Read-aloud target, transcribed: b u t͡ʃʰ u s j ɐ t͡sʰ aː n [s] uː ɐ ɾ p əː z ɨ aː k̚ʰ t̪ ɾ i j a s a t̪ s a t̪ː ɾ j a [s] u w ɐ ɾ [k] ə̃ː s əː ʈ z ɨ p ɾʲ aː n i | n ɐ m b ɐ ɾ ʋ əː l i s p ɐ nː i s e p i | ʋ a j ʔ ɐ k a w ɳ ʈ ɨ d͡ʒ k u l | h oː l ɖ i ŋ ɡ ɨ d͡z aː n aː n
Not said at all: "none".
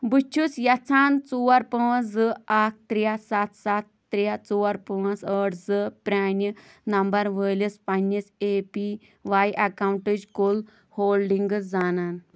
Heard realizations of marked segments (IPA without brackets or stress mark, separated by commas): t͡s, t͡s, p